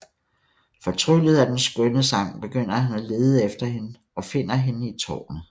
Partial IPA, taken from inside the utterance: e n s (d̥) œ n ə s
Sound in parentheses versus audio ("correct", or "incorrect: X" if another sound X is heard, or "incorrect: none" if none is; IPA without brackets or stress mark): incorrect: ɡ̥